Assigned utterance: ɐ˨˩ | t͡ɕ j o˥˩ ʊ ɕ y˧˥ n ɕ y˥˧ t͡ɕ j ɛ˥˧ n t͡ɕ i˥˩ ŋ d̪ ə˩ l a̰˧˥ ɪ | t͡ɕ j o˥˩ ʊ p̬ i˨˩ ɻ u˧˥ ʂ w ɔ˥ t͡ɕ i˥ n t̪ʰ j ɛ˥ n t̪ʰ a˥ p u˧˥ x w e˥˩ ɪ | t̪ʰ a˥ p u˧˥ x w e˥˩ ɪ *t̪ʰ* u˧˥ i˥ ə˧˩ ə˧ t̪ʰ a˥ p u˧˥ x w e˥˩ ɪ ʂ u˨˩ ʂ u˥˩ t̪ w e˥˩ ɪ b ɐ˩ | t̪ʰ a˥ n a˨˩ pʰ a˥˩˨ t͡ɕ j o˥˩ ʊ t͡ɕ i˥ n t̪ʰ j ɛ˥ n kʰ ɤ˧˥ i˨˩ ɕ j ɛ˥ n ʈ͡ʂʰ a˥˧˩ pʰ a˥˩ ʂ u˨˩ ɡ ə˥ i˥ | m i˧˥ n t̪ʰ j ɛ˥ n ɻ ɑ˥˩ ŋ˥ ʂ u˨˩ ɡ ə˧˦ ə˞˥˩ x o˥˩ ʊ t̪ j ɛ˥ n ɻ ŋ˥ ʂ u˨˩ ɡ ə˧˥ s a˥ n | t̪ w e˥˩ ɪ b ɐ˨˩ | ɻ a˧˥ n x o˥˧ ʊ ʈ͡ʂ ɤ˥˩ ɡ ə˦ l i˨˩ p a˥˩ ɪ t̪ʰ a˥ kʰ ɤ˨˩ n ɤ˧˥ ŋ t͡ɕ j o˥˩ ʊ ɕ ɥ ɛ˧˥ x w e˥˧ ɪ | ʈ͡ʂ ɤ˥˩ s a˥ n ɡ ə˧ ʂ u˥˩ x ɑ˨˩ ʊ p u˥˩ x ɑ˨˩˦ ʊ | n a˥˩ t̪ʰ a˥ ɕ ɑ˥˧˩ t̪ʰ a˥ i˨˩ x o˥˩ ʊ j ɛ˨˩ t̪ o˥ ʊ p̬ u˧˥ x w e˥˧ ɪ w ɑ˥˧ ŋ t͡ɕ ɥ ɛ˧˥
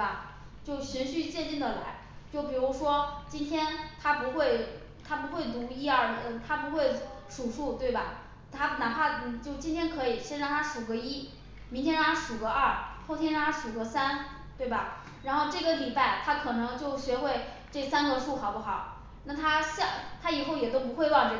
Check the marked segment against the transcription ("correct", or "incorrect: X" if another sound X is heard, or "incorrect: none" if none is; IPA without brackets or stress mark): incorrect: t̪